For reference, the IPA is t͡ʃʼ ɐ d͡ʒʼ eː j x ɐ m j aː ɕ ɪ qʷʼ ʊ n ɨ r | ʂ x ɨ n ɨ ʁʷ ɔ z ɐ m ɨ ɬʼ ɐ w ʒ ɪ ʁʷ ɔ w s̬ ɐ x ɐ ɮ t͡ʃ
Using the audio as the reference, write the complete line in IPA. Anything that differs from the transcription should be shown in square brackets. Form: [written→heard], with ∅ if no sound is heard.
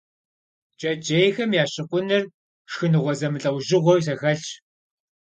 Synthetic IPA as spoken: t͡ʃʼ ɐ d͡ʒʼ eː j x ɐ m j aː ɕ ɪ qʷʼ ʊ n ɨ r | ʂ x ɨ n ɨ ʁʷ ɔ z ɐ m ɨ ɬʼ ɐ w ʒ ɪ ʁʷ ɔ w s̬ ɐ x ɐ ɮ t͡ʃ